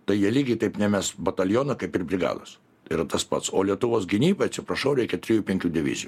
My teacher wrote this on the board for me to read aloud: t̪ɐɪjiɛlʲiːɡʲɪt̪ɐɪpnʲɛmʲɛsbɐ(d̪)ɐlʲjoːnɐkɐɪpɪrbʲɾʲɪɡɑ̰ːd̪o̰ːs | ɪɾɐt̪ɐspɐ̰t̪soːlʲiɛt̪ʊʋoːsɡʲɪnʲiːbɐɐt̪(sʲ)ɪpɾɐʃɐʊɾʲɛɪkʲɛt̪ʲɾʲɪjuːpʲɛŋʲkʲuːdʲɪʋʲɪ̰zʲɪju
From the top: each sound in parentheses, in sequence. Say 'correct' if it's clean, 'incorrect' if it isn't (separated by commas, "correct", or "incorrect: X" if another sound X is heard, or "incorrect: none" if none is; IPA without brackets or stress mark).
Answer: incorrect: t̪, correct